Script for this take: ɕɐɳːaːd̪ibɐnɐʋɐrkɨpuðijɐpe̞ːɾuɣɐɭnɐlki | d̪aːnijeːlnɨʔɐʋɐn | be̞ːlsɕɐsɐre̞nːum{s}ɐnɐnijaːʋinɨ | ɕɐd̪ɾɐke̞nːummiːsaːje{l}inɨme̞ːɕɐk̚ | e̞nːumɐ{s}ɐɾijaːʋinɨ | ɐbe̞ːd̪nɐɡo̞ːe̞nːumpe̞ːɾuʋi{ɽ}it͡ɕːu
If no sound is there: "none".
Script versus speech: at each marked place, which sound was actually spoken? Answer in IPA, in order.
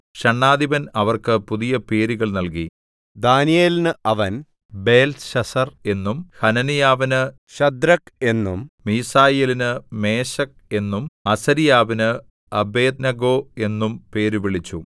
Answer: h, l, s, ɭ

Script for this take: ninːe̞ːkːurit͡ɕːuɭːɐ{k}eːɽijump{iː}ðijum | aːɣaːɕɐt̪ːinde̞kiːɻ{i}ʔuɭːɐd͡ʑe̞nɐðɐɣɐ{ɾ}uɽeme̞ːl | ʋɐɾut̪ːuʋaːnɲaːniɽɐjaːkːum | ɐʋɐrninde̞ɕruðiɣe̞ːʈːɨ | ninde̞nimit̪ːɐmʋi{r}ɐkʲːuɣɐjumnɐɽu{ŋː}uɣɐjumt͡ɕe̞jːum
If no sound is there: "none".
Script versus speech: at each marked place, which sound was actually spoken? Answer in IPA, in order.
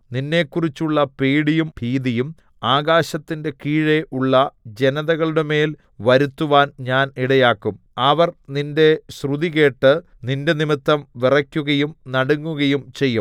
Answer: p, iː, e, ɭ, r, ŋː

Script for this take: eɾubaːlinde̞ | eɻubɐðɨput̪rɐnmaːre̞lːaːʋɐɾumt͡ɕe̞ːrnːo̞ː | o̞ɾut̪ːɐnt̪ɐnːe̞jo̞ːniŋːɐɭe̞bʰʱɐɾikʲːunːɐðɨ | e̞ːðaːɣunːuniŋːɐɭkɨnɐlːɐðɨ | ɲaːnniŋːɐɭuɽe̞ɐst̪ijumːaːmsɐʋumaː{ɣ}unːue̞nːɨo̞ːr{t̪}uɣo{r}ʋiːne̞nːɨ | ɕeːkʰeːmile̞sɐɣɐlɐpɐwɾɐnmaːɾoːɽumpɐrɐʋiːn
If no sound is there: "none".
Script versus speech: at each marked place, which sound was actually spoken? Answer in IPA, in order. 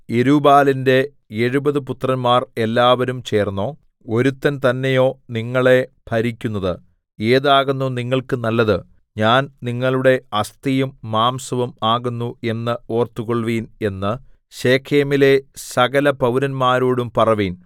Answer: ɣ, t̪, ɭ

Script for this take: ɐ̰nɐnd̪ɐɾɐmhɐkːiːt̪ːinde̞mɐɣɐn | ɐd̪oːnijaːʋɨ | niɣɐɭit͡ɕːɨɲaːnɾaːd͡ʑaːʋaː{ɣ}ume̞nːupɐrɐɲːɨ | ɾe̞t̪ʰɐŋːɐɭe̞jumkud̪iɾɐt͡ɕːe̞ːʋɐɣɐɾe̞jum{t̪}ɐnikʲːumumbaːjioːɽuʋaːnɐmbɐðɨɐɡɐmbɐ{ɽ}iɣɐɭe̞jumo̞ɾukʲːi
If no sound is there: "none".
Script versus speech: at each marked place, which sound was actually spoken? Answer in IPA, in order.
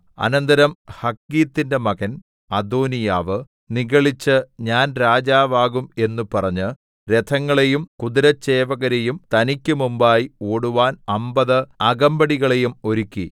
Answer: ɣ, t̪, ɽ

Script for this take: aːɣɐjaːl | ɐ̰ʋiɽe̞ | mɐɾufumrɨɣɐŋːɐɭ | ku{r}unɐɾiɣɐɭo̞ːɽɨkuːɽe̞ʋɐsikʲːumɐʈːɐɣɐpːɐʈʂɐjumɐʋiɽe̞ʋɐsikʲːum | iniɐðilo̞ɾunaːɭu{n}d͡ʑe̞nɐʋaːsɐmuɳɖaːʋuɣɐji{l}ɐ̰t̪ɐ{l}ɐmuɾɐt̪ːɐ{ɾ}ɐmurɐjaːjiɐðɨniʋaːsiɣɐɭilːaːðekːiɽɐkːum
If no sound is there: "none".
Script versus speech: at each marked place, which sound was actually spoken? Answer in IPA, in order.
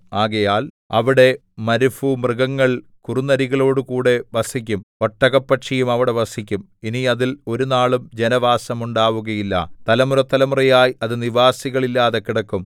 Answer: r, m, lː, l, l

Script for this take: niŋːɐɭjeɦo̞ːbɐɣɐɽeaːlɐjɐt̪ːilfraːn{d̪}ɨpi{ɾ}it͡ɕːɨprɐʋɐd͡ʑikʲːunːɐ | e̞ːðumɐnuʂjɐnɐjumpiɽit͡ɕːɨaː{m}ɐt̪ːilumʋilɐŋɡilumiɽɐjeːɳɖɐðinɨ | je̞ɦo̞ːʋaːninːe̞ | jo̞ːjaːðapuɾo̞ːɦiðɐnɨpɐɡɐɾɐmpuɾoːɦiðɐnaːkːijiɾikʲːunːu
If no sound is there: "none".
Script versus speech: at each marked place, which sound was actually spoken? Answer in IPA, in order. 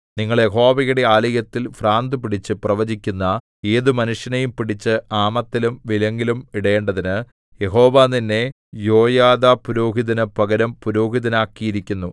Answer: d̪, ɽ, m

